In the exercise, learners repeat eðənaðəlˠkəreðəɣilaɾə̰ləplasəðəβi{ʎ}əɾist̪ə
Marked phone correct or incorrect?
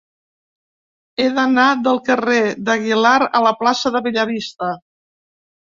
correct